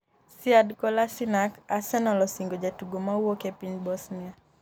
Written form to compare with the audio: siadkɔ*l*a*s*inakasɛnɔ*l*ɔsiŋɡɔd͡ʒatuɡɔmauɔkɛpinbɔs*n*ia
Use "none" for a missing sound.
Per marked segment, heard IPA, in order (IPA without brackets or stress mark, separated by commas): l, s, l, n